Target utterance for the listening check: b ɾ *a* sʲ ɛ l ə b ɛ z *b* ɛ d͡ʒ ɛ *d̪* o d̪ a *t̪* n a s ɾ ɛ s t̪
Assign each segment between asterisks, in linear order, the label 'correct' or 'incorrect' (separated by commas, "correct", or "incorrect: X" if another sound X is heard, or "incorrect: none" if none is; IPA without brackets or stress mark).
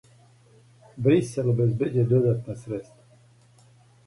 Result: incorrect: i, correct, correct, correct